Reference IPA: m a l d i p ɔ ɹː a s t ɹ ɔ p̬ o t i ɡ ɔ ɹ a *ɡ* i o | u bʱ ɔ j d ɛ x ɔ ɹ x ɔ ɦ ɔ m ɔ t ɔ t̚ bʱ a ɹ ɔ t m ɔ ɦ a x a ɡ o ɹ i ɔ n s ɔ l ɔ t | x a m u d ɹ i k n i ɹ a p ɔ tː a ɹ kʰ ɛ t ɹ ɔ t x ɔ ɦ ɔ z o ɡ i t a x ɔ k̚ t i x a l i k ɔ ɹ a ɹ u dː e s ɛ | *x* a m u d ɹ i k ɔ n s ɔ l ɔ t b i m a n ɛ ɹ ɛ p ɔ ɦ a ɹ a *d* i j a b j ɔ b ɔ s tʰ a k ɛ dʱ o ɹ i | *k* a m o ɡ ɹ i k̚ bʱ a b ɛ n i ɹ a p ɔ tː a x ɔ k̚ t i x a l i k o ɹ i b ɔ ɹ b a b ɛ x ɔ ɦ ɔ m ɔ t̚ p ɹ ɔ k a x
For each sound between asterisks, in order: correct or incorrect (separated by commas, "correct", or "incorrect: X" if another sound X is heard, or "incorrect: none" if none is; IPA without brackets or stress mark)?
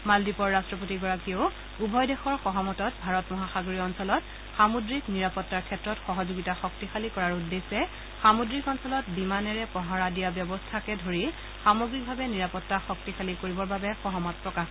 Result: incorrect: k, correct, correct, incorrect: x